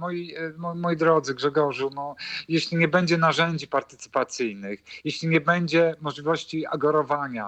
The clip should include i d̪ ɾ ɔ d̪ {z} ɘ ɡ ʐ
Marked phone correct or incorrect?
correct